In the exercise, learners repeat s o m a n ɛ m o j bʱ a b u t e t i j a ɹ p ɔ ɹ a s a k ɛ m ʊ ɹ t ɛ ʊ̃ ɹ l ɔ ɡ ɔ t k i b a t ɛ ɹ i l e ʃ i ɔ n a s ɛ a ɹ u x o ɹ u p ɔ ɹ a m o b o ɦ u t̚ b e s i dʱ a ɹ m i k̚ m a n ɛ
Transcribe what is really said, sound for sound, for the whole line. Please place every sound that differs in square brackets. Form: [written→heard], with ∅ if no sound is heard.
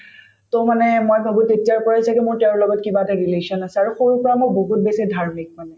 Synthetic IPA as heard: [s→t] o m a n ɛ m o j bʱ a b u t e t i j a ɹ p ɔ ɹ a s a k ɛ m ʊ ɹ t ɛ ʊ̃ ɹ l ɔ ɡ ɔ t k i b a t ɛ ɹ i l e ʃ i ɔ n a s ɛ a ɹ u x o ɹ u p ɔ ɹ a m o b o ɦ u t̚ b e s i dʱ a ɹ m i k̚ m a n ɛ

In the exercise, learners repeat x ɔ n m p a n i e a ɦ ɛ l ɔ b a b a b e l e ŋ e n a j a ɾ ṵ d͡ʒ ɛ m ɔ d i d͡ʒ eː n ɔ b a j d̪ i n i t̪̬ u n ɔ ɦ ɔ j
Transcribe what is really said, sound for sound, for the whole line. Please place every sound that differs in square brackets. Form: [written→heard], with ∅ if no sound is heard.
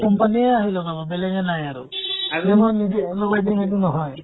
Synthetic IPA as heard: [x→k] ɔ [n→∅] m p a n i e a ɦ [ɛ→i] l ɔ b a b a b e l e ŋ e n a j a ɾ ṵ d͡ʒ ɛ m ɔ [d→n] i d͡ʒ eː n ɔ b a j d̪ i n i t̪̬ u n ɔ ɦ ɔ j

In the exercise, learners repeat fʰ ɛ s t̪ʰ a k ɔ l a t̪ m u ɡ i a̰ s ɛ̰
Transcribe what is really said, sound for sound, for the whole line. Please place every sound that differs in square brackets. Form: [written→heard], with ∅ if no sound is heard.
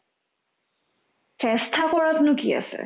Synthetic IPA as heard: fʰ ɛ s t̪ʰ a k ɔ [l→ɹ] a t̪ [m→n] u [ɡ→k] i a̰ s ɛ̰

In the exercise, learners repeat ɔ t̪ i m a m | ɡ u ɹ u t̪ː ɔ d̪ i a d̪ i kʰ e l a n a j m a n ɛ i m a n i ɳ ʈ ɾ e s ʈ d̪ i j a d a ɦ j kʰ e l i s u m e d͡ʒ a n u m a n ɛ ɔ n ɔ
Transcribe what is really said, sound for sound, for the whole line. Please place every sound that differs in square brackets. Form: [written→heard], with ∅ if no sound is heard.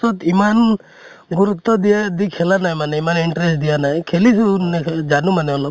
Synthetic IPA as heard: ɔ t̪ i m a [m→n] | ɡ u [ɹ→ɾ] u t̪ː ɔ d̪ i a d̪ i kʰ e l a n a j m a n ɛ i m a n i ɳ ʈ ɾ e s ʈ d̪ i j a [d→n] a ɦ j kʰ e l i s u [m→n] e d͡ʒ a n u m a n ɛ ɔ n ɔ

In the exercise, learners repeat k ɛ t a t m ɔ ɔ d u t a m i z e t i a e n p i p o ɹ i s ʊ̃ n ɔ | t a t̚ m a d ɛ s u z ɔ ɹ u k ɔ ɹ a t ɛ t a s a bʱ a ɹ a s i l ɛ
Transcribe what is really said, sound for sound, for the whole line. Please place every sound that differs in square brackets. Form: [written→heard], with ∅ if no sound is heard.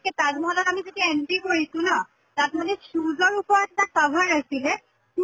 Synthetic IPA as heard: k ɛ t a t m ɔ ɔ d [u→ɔ] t a m i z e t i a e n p i [p→k] o ɹ i s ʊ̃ n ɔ | t a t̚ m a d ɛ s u z ɔ ɹ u [k→p] ɔ ɹ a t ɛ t a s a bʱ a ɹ a s i l ɛ

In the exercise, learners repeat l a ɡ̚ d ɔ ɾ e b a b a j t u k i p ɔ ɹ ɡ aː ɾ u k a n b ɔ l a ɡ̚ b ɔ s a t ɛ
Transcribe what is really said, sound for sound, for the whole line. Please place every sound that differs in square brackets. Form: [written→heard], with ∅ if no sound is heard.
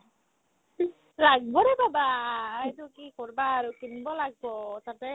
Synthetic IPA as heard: l a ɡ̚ [d→b] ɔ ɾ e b a b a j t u k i [p→k] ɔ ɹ [ɡ→b] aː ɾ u k [a→i] n b ɔ l a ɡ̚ b ɔ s a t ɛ

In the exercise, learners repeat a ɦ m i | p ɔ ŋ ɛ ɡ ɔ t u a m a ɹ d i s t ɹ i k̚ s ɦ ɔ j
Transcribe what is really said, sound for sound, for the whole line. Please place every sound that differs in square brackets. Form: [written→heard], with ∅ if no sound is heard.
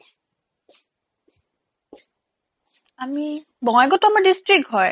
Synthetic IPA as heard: a [ɦ→∅] m i | [p→b] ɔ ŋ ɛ ɡ ɔ t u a m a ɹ d i s t ɹ i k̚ [s→t] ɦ ɔ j

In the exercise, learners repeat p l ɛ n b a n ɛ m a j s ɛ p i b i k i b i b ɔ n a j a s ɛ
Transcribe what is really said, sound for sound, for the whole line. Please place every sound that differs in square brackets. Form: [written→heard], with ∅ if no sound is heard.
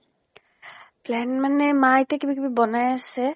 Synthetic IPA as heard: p l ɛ n [b→m] a n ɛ m a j [s→t] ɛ [p→k] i b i k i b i b ɔ n a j a s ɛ

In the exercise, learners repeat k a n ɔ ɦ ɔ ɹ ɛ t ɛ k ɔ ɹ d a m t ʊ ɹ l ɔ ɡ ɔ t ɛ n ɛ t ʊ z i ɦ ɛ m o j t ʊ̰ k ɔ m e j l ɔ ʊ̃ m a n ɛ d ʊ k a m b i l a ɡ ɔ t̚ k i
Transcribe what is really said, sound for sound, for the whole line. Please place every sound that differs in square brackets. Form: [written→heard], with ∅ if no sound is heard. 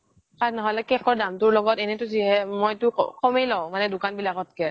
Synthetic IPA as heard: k a n ɔ ɦ ɔ [ɹ→l] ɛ [t→k] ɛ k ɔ ɹ d a m t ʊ ɹ l ɔ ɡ ɔ t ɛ n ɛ t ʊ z i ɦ ɛ m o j t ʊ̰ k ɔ m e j l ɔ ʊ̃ m a n ɛ d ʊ k a [m→n] b i l a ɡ ɔ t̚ k [i→ɛ]

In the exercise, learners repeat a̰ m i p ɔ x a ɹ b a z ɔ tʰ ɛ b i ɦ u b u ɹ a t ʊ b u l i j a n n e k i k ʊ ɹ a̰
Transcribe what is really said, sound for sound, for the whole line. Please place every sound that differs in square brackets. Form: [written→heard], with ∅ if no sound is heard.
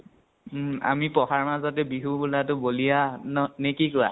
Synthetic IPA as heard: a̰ m i p ɔ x a ɹ [b→m] a z ɔ [tʰ→t] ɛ b i ɦ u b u [ɹ→l] a t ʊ b [u→o] l i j a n n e k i k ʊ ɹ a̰

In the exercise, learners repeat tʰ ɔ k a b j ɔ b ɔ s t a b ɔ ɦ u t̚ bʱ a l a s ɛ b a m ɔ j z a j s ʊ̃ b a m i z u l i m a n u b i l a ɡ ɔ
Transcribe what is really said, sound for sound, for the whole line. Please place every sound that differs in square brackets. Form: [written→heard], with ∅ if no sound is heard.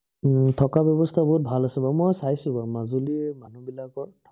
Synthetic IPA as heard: tʰ ɔ k a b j ɔ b ɔ s [t→tʰ] a b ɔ ɦ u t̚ bʱ a l a s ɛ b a m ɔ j [z→s] a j s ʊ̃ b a m [i→a] z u l i m a n u b i l a [ɡ→k] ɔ

